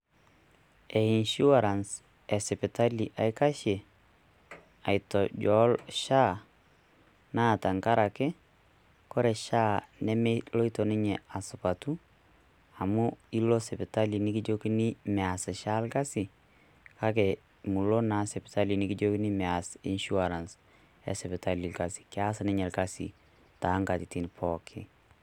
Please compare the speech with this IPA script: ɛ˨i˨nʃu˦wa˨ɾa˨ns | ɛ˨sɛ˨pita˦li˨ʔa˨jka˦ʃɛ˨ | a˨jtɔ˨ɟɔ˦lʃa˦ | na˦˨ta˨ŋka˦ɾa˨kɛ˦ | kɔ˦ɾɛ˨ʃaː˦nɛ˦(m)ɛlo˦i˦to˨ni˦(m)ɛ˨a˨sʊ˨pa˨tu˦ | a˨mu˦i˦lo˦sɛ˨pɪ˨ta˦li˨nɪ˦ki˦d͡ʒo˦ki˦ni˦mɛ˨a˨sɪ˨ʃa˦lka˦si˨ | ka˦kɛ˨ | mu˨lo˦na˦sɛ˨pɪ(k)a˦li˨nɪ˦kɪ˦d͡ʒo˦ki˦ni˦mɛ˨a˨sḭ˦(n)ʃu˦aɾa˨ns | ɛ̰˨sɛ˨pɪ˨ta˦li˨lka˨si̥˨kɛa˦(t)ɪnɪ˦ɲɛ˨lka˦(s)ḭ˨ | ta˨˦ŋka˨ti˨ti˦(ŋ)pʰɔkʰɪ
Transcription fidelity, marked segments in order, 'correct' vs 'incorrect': correct, incorrect, incorrect, correct, incorrect, correct, incorrect

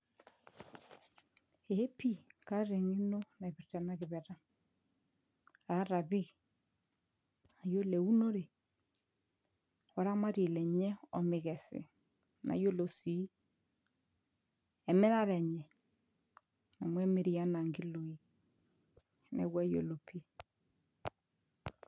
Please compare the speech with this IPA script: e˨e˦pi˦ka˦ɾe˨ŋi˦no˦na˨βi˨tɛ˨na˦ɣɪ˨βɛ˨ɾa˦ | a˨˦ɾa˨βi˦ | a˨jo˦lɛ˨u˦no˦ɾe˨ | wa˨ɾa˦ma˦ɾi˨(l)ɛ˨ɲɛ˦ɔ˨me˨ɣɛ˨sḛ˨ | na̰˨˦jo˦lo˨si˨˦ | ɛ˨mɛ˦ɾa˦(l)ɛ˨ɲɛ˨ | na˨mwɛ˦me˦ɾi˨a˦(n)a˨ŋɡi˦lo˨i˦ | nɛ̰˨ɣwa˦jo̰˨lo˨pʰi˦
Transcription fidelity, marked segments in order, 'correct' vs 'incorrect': correct, incorrect, correct

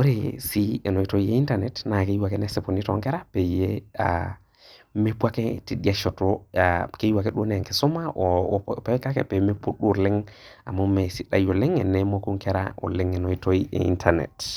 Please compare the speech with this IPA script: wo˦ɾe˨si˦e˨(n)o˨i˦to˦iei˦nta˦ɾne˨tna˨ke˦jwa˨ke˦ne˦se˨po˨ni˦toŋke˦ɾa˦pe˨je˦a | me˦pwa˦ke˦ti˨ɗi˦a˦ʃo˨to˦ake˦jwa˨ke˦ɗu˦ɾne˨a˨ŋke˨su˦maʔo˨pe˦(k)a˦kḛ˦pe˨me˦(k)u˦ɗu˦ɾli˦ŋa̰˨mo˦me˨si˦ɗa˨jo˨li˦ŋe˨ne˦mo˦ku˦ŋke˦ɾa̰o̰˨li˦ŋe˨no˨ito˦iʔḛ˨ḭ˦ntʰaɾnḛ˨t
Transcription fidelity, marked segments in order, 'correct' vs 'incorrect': correct, correct, incorrect

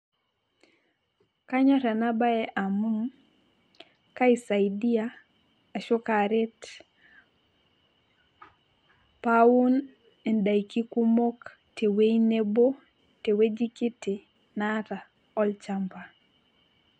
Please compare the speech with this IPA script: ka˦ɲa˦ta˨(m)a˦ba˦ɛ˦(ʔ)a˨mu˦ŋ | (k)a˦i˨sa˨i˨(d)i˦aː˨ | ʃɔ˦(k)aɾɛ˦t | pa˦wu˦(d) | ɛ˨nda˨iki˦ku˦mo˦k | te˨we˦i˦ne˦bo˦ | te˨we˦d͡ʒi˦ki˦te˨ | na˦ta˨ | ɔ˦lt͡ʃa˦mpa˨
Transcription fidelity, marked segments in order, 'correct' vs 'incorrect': incorrect, correct, correct, correct, correct, incorrect

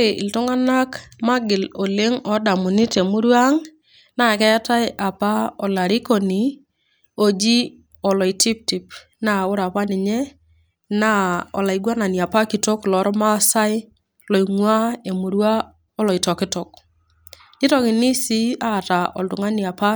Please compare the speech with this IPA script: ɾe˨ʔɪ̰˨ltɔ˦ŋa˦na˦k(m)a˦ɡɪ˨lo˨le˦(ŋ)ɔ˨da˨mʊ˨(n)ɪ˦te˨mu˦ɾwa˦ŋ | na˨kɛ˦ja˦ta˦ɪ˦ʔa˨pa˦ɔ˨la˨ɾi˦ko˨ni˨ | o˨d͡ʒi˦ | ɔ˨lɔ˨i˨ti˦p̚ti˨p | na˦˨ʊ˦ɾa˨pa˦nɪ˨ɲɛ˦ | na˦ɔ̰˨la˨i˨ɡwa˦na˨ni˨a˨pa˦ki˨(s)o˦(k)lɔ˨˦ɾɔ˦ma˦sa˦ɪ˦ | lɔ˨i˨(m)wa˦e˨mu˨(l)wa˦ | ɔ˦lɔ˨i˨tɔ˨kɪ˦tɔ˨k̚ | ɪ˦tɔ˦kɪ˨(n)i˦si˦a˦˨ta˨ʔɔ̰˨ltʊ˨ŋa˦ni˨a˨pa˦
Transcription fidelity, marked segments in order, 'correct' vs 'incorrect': correct, correct, correct, incorrect, correct, incorrect, incorrect, correct

